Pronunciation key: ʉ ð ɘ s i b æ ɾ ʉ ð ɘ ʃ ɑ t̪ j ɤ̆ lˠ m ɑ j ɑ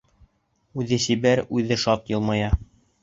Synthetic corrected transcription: ʉ ð ɘ s i b æ ɾ ʉ ð ɘ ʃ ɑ t̪ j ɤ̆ lˠ m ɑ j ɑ